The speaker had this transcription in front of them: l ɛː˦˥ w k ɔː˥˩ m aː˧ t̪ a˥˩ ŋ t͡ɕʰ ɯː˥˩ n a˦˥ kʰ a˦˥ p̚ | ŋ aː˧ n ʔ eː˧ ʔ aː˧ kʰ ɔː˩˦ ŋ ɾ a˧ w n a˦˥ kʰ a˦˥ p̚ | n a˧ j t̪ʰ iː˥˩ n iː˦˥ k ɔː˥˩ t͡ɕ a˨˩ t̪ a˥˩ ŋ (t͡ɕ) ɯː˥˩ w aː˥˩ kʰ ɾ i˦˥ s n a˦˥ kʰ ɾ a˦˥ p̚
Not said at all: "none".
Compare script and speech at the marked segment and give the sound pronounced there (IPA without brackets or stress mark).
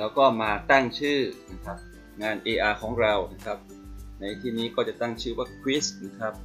t͡ɕʰ